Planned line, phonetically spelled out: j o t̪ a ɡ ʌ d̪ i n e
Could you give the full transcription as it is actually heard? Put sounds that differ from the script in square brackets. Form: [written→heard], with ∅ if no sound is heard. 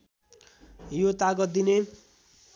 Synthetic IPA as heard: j o t̪ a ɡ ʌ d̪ i n e